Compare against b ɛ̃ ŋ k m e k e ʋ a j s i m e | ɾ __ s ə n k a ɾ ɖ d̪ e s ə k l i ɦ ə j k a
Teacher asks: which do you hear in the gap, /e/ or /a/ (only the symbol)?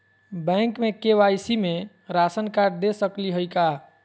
a